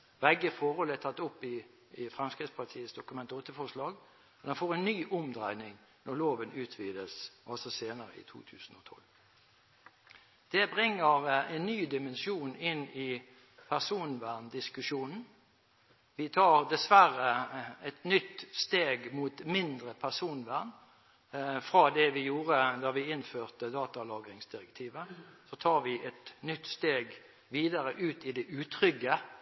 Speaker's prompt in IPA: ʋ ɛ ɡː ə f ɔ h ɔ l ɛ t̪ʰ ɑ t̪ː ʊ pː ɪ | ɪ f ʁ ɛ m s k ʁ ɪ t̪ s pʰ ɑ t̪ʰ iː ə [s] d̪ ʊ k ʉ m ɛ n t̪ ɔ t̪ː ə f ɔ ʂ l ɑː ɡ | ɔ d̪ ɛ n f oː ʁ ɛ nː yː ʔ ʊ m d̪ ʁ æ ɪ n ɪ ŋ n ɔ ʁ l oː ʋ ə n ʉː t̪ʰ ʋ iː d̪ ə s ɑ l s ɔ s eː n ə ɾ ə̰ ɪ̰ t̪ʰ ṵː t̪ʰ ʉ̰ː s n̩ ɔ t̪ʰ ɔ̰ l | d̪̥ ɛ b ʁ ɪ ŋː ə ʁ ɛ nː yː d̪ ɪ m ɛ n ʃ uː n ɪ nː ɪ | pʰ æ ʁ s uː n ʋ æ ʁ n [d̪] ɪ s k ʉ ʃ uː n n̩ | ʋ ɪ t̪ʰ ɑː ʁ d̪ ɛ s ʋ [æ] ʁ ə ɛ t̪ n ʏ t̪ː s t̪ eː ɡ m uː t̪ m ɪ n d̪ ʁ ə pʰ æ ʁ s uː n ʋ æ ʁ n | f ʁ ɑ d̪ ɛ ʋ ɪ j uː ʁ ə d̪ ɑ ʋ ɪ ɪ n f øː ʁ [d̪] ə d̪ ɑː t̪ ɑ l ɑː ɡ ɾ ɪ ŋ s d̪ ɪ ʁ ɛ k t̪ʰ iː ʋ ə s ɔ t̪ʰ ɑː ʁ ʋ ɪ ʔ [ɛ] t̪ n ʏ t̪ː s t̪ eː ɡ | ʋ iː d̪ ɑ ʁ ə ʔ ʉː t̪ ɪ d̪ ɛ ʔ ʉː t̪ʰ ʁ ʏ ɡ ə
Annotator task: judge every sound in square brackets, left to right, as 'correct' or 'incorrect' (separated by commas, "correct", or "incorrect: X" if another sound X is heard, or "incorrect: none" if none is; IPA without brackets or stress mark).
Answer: correct, correct, correct, incorrect: t̪, correct